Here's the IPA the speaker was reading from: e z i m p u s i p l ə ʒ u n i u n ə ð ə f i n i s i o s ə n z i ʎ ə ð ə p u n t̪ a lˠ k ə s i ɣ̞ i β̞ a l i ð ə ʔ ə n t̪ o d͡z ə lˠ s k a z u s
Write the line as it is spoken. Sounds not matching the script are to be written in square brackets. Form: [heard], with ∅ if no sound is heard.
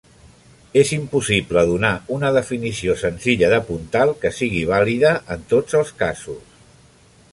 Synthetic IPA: e z i m p u s i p l ə [ð] u n [a] u n ə ð ə f i n i s i o s ə n z i ʎ ə ð ə p u n t̪ a lˠ k ə s i ɣ̞ i β̞ a l i ð ə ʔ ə n t̪ o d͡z ə lˠ s k a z u s

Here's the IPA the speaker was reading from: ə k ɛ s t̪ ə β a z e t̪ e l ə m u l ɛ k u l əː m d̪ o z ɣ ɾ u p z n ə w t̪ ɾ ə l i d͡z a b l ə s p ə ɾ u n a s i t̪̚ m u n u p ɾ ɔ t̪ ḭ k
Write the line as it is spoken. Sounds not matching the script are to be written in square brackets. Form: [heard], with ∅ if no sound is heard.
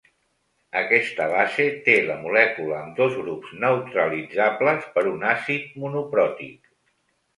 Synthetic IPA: ə k ɛ s t̪ ə β a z e t̪ e l ə m u l ɛ k u l əː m d̪ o z ɣ ɾ u p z n ə w t̪ ɾ ə l i d͡z a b l ə s p ə ɾ u n a s i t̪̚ m u n u p ɾ ɔ t̪ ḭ k

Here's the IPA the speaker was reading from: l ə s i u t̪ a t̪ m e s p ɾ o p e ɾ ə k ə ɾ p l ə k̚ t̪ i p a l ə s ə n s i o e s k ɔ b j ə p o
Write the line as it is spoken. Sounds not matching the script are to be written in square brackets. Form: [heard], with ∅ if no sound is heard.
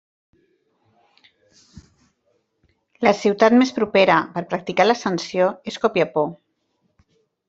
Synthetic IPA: l ə s i [w] t̪ a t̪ m e s p ɾ [u] p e ɾ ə [p] ə ɾ p [ɾ] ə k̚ t̪ i [k] a l ə s ə n s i o e s k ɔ [p] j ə p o

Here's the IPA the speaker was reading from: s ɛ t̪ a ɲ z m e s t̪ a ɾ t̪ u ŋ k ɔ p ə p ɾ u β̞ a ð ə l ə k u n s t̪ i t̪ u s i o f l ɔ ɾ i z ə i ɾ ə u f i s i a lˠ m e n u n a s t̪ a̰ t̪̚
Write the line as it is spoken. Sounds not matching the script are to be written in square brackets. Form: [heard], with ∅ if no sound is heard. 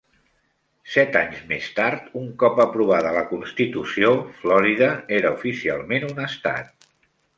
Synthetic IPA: s ɛ t̪ a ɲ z m e s t̪ a ɾ t̪ u ŋ k ɔ p ə p ɾ u β̞ a ð ə l ə k u n s t̪ i t̪ u s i o f l ɔ ɾ i [ð] ə [e] ɾ ə u f i s i a lˠ m e n u n [ə] s t̪ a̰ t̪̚

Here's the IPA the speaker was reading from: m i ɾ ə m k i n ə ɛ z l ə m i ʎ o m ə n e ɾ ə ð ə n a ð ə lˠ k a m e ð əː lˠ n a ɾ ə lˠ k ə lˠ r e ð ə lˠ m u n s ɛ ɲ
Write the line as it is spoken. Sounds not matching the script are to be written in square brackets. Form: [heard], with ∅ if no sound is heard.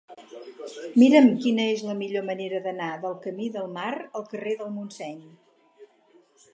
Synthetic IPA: m i ɾ ə m k i n ə [e] z l ə m i ʎ o m ə n e ɾ ə ð ə n a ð ə lˠ k [ə] m [i] ð [ə] lˠ [m] a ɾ ə lˠ k ə [∅] r e ð ə lˠ m u n s ɛ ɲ

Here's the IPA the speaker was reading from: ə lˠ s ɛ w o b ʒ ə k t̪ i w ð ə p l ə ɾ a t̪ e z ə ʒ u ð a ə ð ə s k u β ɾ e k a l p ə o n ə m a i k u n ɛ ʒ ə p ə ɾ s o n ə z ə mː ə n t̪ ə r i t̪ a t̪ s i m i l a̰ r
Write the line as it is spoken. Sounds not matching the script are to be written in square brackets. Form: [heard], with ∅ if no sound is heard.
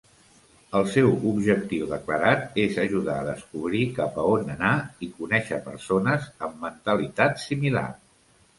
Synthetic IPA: ə lˠ s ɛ w [u] b ʒ ə k t̪ i w ð ə [k] l ə ɾ a t̪ e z ə ʒ u ð a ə ð ə s k u β ɾ [i] k a [∅] p ə o n ə [n] a i k u n ɛ [ʃ] ə p ə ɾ s o n ə z ə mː ə n t̪ ə [l] i t̪ a t̪ s i m i l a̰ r

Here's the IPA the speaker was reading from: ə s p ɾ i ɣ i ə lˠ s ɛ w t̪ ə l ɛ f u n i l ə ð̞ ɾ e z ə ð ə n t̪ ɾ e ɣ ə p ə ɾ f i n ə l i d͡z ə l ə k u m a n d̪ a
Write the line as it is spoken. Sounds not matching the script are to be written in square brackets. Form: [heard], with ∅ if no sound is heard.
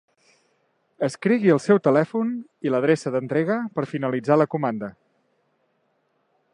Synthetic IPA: ə s [k] ɾ i ɣ i ə lˠ s ɛ w t̪ ə l ɛ f u n i l ə ð̞ ɾ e [s] ə ð ə n t̪ ɾ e ɣ ə p ə ɾ f i n ə l i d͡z [a] l ə k u m a n d̪ [ə]

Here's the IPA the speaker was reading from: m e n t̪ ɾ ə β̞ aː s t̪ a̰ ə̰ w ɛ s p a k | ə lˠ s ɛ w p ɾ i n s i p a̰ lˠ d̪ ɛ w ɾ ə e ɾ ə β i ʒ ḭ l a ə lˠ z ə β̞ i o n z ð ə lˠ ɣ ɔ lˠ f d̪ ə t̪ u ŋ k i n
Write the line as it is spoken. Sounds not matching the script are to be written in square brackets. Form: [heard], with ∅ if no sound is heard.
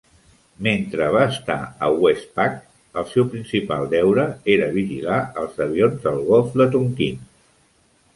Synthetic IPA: m e n t̪ ɾ ə β̞ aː s t̪ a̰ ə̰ w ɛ s p a k | ə lˠ s ɛ w p ɾ i n s i p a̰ lˠ d̪ ɛ w ɾ ə e ɾ ə β i ʒ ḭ l a ə lˠ z ə β̞ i o n z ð ə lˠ ɣ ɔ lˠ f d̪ ə t̪ u ŋ k i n

